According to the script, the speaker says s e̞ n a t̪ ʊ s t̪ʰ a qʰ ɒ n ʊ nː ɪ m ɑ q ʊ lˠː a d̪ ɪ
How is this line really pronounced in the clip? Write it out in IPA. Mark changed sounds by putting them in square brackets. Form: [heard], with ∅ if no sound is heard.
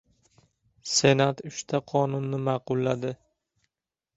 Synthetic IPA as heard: s e̞ n a t̪ ʊ [ʃ] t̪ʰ a qʰ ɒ n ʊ nː ɪ m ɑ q ʊ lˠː a d̪ ɪ